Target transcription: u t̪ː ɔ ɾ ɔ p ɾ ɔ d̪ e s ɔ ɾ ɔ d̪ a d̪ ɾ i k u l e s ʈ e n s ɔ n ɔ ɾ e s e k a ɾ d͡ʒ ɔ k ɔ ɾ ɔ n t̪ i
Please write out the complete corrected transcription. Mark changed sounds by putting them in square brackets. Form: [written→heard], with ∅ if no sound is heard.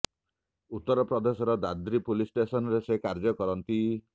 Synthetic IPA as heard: u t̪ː ɔ ɾ ɔ p ɾ ɔ d̪ e s ɔ ɾ ɔ d̪ a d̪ ɾ i [k→p] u l [e→i] s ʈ e [n→∅] s ɔ n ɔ ɾ e s e k a ɾ d͡ʒ ɔ k ɔ ɾ ɔ n t̪ i